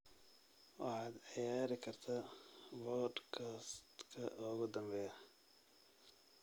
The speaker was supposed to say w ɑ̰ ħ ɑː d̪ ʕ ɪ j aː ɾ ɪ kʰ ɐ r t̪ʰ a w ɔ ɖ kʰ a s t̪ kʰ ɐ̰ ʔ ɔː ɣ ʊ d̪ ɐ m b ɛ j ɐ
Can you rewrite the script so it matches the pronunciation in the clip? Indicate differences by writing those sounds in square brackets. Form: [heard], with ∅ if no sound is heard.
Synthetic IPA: w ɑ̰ ħ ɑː d̪ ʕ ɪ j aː ɾ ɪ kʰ ɐ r t̪ʰ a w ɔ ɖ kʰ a s t̪ kʰ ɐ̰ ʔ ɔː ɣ ʊ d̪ ɐ m b ɛ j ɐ